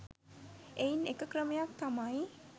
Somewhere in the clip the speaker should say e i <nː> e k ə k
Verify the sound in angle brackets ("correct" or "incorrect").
incorrect